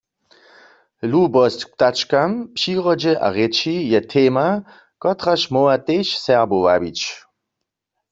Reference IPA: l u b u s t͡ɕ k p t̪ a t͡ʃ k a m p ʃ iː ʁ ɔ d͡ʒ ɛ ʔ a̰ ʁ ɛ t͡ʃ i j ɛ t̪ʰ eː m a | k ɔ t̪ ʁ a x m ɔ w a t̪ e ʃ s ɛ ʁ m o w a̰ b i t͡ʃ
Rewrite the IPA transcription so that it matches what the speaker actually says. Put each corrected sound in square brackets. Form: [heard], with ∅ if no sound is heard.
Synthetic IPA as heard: l u b [ɔ] s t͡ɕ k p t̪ a t͡ʃ k a m p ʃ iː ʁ ɔ d͡ʒ ɛ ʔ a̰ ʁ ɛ t͡ʃ i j ɛ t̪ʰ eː m a | k ɔ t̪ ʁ a [ʃ] m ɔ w a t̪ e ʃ s ɛ ʁ [b] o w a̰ b i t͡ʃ